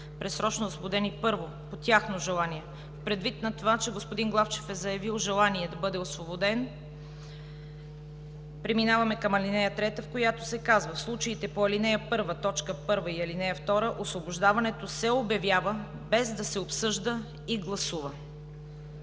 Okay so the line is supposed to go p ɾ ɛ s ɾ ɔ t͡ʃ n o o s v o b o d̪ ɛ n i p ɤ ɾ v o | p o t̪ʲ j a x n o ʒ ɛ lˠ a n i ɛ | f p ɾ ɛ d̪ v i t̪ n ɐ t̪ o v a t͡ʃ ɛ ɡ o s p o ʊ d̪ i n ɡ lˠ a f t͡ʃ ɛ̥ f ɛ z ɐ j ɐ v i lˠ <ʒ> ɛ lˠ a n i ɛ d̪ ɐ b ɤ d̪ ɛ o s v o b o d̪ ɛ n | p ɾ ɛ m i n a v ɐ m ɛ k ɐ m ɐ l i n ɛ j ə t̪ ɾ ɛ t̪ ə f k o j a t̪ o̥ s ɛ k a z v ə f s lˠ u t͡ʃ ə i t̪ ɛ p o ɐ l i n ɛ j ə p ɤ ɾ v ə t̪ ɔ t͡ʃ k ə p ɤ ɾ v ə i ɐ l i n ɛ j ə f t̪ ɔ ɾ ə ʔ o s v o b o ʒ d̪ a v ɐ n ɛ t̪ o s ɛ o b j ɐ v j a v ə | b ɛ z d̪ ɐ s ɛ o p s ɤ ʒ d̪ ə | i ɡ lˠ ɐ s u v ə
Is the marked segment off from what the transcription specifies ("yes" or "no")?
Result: no